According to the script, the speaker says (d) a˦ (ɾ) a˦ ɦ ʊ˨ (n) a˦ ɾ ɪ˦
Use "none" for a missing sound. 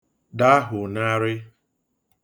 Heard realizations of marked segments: d, none, n

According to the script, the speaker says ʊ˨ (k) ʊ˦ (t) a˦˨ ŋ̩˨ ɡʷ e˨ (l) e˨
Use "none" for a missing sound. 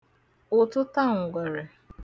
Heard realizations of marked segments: t, t, ɾ

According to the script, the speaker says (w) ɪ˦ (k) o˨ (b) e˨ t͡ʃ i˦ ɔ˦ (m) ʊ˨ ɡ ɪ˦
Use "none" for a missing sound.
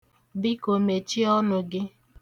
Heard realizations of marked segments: b, k, m, n

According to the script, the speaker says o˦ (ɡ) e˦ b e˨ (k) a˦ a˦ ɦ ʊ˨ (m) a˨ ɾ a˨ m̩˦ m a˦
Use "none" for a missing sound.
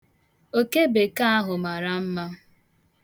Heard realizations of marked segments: k, k, m

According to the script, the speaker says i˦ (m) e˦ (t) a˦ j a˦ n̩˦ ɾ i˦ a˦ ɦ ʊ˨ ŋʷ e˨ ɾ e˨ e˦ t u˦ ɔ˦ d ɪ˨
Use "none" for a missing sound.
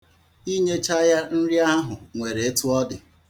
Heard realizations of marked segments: ɲ, t͡ʃ

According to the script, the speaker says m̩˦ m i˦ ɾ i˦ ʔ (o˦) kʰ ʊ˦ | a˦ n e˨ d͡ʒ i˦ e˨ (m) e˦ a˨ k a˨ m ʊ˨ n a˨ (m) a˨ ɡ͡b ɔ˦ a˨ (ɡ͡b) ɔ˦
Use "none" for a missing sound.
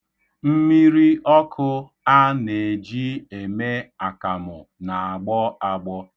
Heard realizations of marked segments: ɔ˦, m, none, ɡ͡b

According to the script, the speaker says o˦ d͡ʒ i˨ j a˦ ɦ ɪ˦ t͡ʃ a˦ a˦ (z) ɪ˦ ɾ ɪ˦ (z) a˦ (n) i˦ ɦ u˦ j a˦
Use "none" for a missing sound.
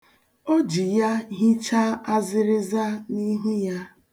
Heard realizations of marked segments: z, z, n

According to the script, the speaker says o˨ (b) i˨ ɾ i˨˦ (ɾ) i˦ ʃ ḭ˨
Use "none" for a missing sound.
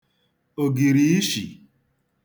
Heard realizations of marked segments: ɡ, none

